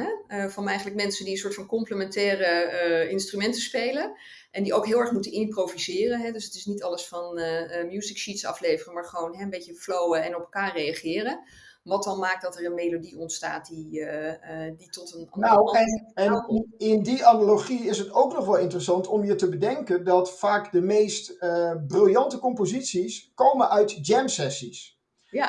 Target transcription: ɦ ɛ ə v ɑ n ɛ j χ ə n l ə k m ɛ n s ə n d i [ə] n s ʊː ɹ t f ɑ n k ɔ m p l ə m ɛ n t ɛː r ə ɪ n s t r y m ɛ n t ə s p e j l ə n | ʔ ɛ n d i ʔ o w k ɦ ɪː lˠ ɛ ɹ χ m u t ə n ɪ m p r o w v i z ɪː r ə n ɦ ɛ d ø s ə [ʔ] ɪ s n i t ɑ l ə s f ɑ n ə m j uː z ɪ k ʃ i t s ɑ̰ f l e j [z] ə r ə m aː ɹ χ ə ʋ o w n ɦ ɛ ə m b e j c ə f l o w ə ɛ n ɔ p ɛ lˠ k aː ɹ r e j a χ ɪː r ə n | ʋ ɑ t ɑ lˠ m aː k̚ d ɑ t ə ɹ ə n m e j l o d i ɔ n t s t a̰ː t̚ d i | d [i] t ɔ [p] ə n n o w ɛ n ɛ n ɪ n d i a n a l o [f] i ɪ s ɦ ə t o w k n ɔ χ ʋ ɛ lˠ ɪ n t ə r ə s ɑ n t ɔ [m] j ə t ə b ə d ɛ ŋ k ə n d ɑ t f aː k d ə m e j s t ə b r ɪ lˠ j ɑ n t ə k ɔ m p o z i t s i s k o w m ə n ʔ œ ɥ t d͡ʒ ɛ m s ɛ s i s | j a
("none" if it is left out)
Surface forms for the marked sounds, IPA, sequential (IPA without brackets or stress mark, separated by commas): ə, t, v, i, t, χ, m